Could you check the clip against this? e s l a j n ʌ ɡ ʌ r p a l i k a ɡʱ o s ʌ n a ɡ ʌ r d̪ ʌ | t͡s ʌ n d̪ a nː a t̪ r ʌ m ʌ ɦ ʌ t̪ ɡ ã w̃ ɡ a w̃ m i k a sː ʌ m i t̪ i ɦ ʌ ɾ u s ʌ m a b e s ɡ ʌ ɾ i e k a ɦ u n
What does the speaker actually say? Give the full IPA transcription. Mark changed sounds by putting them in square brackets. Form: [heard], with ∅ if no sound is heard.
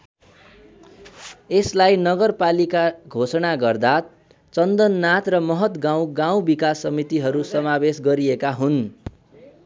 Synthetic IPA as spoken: e s l a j n ʌ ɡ ʌ r p a l i k a ɡʱ o s ʌ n a ɡ ʌ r d̪ [a] | t͡s ʌ n d̪ [ʌ] nː a t̪ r ʌ m ʌ ɦ ʌ t̪ ɡ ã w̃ ɡ a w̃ [b] i k a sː ʌ m i t̪ i ɦ ʌ ɾ u s ʌ m a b e s ɡ ʌ ɾ i e k a ɦ u n